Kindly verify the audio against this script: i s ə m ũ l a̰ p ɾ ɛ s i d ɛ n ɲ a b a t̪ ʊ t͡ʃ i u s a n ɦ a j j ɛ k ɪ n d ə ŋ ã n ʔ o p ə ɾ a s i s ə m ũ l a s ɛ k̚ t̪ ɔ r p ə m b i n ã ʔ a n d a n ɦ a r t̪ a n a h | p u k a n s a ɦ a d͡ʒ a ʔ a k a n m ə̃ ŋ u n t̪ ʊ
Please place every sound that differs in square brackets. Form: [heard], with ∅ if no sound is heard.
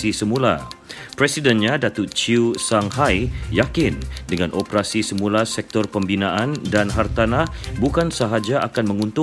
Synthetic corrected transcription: i s ə m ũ l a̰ p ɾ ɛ s i d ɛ n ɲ a [d] a t̪ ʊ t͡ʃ i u s a [ŋ] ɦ a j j [a] k ɪ n d ə ŋ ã n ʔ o p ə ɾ a s i s ə m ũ l a s ɛ k̚ t̪ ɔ r p ə m b i n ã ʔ a n d a n ɦ a r t̪ a n a h | [b] u k a n s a ɦ a d͡ʒ a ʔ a k a n m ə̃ ŋ u n t̪ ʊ